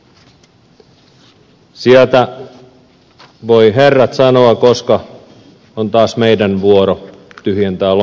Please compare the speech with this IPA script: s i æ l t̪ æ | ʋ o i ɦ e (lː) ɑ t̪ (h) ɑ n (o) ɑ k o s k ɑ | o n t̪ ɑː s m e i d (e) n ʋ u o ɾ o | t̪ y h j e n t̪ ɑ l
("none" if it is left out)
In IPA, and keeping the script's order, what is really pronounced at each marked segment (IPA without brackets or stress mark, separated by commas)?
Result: rː, s, o, æ